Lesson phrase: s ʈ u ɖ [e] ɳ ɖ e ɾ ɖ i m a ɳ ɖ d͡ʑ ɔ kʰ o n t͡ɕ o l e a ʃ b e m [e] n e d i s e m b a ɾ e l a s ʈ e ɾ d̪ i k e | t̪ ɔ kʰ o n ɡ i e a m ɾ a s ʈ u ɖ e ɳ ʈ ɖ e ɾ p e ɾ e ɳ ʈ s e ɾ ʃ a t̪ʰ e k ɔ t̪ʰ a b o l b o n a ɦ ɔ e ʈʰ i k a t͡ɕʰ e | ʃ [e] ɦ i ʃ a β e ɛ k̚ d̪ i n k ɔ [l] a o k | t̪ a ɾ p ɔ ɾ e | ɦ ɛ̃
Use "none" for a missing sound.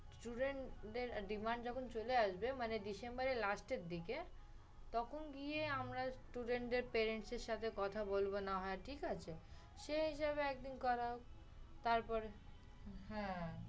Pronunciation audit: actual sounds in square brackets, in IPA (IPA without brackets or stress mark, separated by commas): e, a, e, ɾ